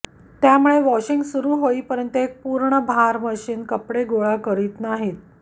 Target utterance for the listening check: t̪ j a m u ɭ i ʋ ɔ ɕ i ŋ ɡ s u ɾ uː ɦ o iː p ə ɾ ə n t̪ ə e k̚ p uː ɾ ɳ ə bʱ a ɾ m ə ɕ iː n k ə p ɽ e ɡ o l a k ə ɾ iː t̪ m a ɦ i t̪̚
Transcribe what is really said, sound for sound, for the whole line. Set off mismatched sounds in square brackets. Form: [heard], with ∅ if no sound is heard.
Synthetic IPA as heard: t̪ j a m u ɭ [e] ʋ ɔ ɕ i ŋ ɡ s u ɾ uː ɦ o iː p ə ɾ ə n t̪ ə e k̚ p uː ɾ ɳ ə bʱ a ɾ m ə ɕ iː n k ə p ɽ e ɡ o [ɭ] a k ə ɾ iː t̪ [n] a ɦ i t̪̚